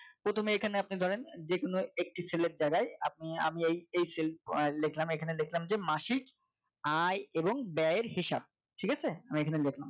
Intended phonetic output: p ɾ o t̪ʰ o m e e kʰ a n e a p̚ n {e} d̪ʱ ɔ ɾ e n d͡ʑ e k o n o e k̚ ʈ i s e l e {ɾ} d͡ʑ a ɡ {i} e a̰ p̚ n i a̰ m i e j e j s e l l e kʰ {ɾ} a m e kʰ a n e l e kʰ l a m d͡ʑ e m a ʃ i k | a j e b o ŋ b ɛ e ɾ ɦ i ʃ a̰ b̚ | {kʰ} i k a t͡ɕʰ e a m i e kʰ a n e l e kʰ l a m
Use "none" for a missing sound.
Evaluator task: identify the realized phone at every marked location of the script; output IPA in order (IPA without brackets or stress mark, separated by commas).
i, ɾ, a, l, ʈʰ